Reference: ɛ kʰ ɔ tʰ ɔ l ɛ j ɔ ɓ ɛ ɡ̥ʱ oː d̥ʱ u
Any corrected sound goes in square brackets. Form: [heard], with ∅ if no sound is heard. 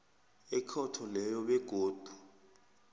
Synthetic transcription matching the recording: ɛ kʰ ɔ tʰ ɔ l ɛ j ɔ ɓ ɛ ɡ̥ʱ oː d̥ʱ u